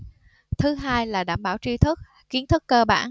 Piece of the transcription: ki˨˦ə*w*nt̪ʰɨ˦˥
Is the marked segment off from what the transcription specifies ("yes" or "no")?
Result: yes